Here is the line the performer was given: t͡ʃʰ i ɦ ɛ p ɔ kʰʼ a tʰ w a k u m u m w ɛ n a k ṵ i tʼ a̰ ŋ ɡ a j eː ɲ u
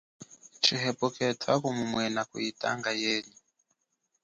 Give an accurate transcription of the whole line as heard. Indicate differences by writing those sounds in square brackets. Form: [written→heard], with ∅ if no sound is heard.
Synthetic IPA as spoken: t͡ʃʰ i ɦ ɛ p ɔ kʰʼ [a→ɛ] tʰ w a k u m u m w ɛ n a k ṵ i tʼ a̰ ŋ ɡ a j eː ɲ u